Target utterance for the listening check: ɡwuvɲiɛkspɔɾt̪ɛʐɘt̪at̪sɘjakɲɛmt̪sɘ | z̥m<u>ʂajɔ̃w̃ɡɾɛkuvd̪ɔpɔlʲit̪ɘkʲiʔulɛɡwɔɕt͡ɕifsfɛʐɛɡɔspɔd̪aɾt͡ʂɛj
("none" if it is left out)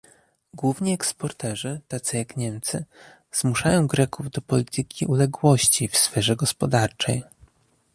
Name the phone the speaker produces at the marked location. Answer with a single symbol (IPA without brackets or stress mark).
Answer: u